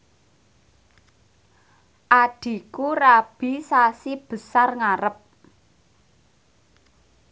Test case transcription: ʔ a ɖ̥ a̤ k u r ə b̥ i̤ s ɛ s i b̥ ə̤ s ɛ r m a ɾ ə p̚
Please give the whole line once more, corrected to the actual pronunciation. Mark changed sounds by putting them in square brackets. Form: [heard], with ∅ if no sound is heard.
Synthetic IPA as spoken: ʔ a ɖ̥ [i̤] k u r [a] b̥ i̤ s [a] s i b̥ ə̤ s [a] r [ŋ] a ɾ ə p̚